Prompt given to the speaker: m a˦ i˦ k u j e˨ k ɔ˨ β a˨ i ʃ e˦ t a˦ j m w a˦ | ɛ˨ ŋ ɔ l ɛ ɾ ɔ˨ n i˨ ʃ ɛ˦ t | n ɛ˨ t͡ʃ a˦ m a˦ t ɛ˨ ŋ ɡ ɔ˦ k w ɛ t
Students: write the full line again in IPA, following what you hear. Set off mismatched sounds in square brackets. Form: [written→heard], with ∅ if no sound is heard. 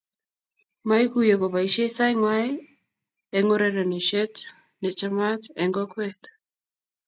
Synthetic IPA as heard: m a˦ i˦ k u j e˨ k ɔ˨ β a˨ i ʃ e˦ [t→s] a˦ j [m→ŋ] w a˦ | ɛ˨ ŋ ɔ [l→ɾ] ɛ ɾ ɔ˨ n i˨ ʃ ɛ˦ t | n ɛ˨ t͡ʃ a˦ m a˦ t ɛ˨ ŋ ɡ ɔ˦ k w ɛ t